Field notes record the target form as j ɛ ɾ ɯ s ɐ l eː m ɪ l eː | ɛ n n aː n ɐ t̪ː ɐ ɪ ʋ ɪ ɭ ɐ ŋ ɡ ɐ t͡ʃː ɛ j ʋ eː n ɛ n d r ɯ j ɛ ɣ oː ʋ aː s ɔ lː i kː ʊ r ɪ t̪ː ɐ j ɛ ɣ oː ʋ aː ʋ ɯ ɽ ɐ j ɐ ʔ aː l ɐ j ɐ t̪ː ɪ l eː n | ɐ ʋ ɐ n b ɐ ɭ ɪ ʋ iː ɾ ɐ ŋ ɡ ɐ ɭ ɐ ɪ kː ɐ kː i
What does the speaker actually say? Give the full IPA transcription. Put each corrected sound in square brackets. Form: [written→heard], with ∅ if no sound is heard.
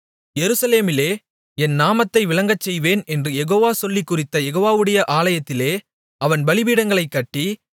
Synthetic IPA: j ɛ ɾ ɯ s ɐ l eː m ɪ l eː | ɛ n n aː [n→m] ɐ t̪ː ɐ ɪ ʋ ɪ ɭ ɐ ŋ ɡ ɐ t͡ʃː ɛ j ʋ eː n ɛ n d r ɯ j ɛ ɣ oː ʋ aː s ɔ lː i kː ʊ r ɪ t̪ː ɐ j ɛ ɣ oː ʋ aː ʋ ɯ ɽ ɐ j ɐ ʔ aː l ɐ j ɐ t̪ː ɪ l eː [n→∅] | ɐ ʋ ɐ n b ɐ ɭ ɪ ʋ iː [ɾ→ɽ] ɐ ŋ ɡ ɐ ɭ ɐ ɪ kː ɐ [kː→ʈː] i